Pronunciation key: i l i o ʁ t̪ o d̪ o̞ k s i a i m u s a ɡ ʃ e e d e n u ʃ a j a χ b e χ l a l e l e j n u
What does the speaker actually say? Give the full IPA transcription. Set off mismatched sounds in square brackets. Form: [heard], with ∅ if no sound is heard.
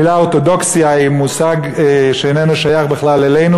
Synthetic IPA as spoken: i l [a] o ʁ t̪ o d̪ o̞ k s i a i m u s a ɡ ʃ e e [n] e n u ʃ a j a χ b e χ l a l e l e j n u